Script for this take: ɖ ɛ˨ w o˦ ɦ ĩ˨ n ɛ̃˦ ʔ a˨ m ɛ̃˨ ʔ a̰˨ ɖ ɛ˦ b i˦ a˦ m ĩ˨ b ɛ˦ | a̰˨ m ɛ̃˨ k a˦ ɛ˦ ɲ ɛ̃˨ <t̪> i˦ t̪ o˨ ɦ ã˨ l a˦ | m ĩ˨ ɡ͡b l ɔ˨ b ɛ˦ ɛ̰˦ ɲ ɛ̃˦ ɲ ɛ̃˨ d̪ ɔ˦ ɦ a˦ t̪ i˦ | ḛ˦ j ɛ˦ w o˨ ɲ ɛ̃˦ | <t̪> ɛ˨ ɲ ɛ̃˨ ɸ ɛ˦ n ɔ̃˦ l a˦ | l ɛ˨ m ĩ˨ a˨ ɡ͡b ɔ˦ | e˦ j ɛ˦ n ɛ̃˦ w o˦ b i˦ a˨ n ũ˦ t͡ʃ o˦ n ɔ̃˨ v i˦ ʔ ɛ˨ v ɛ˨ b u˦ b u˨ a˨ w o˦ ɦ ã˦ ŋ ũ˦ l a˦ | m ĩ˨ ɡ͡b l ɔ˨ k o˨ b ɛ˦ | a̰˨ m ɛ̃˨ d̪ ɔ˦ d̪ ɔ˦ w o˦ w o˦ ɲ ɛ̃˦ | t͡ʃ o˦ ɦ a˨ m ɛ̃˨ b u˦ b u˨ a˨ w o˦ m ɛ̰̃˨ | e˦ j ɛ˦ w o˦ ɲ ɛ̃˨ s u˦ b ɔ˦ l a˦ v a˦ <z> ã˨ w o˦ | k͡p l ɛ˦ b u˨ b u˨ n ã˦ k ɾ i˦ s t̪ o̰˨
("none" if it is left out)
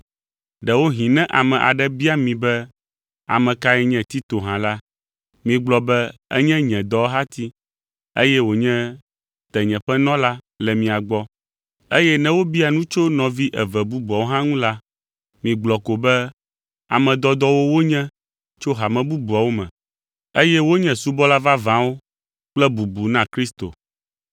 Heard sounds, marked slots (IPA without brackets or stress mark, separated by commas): t̪, t̪, v